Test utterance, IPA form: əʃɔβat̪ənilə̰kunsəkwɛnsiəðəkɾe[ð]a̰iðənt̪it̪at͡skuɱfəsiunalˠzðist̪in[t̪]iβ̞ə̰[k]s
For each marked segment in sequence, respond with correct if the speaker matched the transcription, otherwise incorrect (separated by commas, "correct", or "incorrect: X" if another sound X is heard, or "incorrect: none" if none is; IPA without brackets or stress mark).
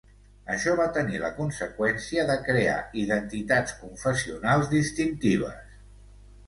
incorrect: none, correct, incorrect: none